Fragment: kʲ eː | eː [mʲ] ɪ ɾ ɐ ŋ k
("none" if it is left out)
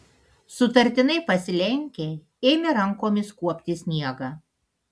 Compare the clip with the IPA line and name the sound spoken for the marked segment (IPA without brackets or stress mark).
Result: mʲ